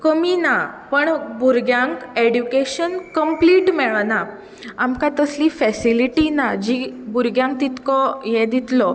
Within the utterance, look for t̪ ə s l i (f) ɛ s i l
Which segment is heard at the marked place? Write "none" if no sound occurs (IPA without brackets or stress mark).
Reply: f